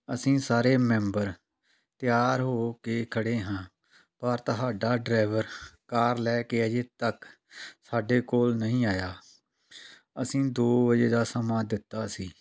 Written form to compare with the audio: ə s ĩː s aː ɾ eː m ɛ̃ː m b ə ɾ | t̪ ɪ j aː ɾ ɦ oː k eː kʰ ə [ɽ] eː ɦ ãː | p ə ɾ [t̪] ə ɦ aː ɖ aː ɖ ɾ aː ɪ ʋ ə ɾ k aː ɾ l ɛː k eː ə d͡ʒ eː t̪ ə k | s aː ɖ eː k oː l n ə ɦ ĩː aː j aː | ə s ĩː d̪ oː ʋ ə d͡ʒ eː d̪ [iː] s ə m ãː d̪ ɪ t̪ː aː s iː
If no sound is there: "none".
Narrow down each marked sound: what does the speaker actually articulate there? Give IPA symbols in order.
ɽ, t̪, aː

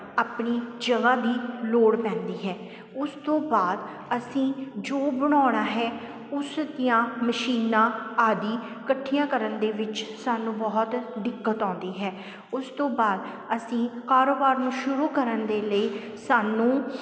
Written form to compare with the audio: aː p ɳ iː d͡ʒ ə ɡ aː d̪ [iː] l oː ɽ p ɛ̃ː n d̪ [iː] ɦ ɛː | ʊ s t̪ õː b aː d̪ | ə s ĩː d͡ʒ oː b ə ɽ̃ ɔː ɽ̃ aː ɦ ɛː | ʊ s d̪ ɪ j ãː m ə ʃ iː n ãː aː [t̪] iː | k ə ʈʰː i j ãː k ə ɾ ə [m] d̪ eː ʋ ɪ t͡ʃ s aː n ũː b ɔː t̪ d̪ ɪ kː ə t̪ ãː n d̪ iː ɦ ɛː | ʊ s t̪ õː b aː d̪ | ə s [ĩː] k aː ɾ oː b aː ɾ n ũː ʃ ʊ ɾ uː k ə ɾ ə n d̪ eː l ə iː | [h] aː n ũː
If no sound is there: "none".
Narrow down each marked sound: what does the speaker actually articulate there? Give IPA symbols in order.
iː, iː, d̪, n, ĩː, s

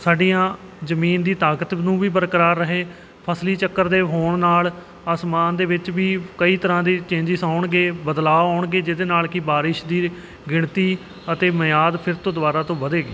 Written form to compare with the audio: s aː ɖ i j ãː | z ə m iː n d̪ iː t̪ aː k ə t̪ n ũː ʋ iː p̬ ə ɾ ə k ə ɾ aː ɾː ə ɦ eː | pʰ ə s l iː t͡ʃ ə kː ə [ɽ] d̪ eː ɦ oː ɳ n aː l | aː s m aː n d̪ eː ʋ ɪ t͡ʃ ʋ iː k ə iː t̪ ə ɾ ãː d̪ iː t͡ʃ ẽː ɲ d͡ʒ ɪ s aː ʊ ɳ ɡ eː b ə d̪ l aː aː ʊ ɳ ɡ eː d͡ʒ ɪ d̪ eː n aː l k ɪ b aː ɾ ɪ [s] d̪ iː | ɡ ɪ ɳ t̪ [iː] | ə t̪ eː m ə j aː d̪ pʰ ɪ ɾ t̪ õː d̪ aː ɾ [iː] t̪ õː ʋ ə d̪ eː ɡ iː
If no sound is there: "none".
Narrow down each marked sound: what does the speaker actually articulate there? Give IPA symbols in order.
ɾ, ʃ, iː, aː

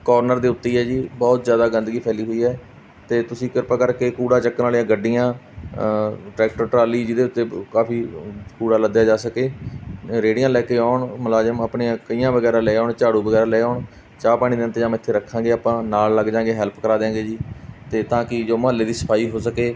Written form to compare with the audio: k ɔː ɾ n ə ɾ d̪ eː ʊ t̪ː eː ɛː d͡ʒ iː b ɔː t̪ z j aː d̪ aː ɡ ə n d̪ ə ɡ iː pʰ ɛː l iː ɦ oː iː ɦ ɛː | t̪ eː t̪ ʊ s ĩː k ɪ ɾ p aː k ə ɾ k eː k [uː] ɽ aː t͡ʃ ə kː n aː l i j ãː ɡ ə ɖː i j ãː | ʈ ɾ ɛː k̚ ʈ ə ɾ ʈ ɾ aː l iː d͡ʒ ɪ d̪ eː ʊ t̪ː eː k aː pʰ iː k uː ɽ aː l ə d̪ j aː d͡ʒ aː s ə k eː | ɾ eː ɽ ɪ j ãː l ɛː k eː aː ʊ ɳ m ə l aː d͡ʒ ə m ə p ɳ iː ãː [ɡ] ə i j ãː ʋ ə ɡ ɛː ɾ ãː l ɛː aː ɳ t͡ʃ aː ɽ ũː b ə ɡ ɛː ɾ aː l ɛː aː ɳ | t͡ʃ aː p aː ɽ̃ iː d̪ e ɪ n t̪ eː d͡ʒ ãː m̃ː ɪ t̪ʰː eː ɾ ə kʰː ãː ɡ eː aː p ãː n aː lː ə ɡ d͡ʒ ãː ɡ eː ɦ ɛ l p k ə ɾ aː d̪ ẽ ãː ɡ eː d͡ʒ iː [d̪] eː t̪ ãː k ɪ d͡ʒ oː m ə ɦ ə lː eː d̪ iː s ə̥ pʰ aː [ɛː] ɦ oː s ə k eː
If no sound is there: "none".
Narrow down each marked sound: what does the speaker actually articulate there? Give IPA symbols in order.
uː, k, t̪, iː

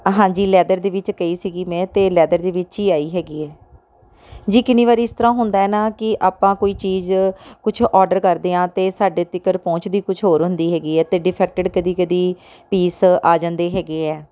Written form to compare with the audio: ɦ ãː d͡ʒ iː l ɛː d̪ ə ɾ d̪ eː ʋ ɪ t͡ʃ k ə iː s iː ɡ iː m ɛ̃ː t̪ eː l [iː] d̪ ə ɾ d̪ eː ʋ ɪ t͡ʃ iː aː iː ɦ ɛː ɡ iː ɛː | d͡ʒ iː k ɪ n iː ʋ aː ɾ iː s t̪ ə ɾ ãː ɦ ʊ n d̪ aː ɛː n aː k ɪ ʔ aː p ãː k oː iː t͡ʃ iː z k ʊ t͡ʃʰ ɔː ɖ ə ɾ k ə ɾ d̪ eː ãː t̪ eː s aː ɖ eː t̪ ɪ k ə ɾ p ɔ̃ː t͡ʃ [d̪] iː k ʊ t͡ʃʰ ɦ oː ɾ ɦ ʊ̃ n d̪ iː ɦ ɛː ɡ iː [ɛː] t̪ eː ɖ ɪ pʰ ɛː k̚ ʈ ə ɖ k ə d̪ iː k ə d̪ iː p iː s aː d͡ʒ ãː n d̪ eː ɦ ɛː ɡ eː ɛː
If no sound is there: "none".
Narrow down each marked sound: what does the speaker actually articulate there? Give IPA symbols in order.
ɛː, d̪, ɛː

